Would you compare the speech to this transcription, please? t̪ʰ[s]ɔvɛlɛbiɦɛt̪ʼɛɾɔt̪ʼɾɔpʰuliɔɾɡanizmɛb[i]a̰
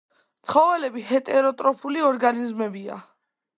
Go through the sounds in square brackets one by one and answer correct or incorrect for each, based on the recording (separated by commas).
incorrect, correct